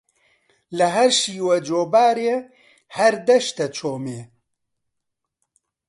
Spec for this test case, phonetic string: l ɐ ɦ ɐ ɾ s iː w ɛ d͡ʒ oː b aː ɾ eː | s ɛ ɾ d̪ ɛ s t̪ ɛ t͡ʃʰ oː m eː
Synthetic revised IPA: l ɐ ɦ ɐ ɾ ʃ iː w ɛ d͡ʒ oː b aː ɾ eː | h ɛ ɾ d̪ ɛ ʃ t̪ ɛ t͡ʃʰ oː m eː